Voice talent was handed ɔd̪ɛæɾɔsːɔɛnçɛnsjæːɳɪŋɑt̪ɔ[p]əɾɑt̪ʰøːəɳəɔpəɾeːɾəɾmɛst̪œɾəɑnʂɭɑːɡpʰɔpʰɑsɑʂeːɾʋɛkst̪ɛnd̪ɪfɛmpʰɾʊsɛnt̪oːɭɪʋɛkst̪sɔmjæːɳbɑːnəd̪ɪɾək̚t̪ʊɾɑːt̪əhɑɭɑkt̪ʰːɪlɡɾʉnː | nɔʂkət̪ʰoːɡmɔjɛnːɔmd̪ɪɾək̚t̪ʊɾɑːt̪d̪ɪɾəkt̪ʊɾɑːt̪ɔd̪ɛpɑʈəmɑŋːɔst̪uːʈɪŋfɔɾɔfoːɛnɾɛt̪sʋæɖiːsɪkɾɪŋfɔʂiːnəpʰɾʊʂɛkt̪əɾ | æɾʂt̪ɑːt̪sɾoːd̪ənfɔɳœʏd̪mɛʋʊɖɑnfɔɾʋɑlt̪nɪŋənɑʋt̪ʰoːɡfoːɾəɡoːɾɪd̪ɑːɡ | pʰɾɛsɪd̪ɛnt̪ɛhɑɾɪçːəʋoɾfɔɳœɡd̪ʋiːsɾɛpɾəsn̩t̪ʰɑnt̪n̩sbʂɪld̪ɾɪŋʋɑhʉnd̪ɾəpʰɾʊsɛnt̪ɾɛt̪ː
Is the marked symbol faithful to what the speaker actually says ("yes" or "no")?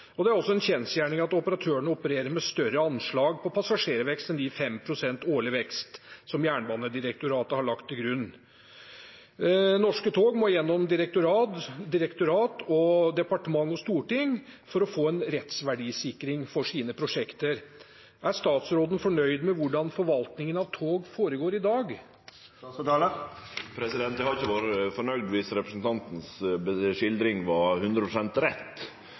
yes